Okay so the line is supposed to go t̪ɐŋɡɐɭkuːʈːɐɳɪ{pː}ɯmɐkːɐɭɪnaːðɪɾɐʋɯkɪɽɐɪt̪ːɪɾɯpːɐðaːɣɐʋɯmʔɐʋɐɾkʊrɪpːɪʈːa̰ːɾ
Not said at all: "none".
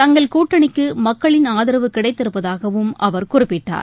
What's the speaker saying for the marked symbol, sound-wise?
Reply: kː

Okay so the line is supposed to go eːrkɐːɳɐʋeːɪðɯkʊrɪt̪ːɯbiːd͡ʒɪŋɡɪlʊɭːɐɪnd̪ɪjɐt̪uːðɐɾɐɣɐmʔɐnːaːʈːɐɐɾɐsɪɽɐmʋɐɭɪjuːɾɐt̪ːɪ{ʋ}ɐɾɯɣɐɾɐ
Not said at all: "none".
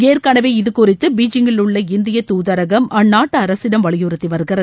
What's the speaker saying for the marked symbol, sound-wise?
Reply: ʋ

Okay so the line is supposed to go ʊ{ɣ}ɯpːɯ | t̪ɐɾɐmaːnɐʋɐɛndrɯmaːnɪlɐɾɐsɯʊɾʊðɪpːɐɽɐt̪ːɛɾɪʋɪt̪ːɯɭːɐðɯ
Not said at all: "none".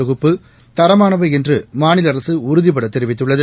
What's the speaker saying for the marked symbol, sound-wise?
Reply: ɣ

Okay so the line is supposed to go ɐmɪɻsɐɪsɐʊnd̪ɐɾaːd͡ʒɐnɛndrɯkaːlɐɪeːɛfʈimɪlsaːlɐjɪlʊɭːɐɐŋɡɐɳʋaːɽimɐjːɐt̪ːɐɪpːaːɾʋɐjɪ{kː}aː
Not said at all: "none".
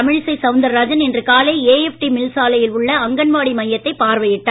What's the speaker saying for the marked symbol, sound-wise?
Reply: ʈː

